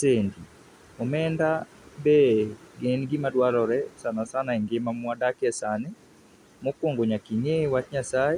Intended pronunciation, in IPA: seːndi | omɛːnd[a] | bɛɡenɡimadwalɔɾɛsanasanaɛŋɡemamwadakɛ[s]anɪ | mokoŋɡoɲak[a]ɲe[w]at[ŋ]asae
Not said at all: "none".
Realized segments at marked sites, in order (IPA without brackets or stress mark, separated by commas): a, s, i, w, ɲ